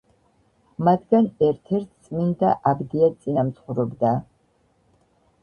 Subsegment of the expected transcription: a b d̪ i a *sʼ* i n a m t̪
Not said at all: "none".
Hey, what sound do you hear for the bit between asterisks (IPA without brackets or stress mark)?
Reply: sʼ